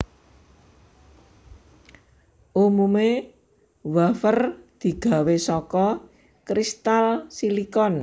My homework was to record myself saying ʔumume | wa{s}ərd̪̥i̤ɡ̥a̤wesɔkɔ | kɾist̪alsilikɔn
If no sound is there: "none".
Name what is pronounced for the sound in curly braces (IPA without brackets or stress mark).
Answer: f